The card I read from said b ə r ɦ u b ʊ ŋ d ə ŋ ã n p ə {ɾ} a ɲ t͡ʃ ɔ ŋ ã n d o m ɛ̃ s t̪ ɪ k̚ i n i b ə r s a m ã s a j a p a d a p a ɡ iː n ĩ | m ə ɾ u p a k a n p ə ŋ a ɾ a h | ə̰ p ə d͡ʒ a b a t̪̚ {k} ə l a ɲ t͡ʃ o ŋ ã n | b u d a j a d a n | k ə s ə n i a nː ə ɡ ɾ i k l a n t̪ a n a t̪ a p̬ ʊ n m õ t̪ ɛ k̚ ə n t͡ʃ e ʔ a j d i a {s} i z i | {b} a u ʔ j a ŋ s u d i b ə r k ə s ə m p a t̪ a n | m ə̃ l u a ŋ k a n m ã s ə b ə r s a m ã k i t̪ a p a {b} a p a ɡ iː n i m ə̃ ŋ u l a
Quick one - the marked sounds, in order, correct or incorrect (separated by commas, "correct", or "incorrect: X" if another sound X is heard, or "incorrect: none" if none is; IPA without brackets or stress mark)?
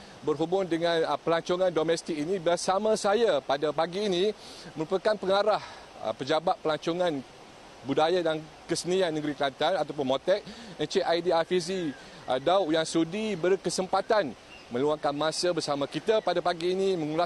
incorrect: l, incorrect: p, incorrect: f, incorrect: d, incorrect: d